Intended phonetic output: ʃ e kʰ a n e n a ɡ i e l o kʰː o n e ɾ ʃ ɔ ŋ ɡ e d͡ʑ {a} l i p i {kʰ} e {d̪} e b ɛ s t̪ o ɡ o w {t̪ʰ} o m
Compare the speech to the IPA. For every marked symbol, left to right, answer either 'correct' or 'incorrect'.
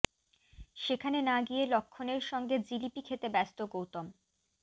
incorrect: i, correct, incorrect: t̪, incorrect: t̪

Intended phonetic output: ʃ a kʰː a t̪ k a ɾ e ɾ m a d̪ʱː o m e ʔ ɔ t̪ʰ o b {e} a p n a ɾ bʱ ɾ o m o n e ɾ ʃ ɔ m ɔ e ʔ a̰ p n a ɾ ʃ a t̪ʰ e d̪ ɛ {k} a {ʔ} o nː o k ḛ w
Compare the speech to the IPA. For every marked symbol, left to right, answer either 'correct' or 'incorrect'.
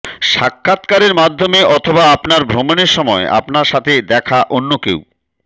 incorrect: a, incorrect: kʰ, correct

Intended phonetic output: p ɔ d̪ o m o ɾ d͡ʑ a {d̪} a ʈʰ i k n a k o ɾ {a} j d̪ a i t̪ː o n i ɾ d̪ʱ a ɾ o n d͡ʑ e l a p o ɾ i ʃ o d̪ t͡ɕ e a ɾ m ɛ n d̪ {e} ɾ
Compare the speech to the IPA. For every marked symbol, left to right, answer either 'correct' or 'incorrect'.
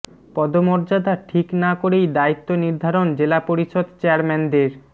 correct, incorrect: e, correct

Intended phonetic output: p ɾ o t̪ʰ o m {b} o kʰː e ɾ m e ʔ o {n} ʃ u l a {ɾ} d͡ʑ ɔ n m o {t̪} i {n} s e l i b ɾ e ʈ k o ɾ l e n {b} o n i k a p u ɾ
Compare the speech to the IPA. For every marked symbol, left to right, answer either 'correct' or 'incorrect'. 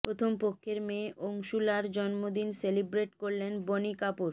incorrect: p, incorrect: ŋ, correct, incorrect: d̪, correct, correct

